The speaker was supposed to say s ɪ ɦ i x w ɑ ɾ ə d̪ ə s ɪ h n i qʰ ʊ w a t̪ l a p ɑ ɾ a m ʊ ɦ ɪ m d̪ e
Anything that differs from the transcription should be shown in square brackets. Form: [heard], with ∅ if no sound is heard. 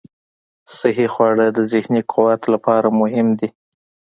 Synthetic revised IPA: s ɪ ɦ i x w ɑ [ɽ] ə d̪ ə [z] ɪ h n i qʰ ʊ w a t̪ l a p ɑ ɾ a m ʊ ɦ ɪ m d̪ [i]